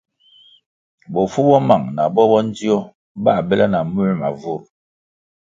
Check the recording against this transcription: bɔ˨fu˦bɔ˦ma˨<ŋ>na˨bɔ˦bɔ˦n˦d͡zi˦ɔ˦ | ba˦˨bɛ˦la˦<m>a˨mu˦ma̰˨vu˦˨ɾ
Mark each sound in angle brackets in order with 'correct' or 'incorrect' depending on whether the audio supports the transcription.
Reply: correct, incorrect: n

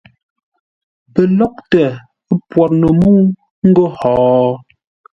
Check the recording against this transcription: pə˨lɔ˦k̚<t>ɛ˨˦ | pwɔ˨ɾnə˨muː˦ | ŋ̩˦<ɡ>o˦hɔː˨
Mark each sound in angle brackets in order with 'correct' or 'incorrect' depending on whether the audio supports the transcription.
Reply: correct, correct

